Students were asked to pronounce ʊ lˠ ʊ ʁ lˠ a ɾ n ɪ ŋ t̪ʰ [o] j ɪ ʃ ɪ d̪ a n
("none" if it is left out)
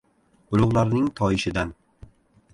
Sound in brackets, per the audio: ɒ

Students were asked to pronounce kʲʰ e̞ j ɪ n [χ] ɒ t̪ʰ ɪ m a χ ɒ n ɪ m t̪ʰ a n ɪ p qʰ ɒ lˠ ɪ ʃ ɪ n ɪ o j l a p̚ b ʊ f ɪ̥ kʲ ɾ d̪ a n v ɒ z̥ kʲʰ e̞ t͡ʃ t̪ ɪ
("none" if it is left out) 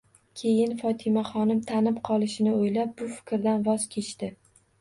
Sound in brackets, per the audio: f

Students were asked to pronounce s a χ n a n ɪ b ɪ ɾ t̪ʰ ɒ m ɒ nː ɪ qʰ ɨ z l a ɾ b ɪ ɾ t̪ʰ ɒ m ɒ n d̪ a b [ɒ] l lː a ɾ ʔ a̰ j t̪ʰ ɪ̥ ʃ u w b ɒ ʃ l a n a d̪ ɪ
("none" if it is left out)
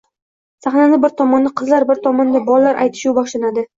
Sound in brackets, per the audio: ɒ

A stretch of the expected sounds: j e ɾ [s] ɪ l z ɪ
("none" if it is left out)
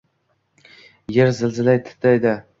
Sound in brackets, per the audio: z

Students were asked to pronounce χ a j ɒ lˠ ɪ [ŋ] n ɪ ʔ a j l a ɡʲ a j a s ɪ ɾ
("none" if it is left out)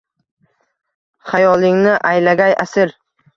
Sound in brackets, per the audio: ŋ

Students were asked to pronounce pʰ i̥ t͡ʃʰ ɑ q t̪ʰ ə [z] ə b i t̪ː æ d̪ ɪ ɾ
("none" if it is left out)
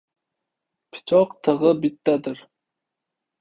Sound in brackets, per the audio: ʁ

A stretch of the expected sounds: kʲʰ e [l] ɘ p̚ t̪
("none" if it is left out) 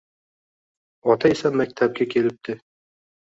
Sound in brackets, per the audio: l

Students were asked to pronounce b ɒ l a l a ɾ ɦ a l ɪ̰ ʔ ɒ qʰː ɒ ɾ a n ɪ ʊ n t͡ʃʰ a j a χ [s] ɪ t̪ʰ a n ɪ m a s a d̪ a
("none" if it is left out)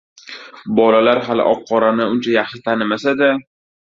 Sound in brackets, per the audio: ʃ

